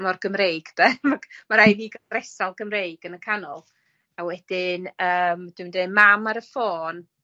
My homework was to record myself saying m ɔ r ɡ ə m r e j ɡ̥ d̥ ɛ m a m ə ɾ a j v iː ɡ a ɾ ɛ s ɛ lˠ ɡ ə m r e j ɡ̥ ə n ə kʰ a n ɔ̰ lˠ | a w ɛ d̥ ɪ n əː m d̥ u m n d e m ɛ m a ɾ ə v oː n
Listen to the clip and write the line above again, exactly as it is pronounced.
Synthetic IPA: m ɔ r ɡ ə m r e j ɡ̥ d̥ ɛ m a m a ɾ a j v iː ɡ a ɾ ɛ s a lˠ ɡ ə m r e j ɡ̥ ə n ə kʰ a n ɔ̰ lˠ | a w ɛ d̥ ɪ n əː m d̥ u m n d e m a m a ɾ ə f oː n